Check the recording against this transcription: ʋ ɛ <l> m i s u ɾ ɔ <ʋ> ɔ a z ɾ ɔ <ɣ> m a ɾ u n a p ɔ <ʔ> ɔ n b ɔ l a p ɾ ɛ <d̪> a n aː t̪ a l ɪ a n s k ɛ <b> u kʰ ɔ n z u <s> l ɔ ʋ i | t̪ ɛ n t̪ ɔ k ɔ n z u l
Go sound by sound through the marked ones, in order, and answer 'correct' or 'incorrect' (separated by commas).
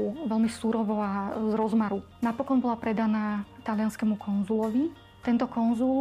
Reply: correct, correct, incorrect, incorrect, correct, incorrect, incorrect